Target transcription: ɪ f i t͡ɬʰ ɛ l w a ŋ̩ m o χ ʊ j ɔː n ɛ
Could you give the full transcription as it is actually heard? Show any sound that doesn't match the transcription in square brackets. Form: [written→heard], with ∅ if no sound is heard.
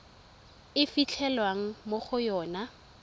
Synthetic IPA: ɪ f i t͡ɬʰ ɛ l w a ŋ̩ m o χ ʊ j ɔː n [ɛ→a]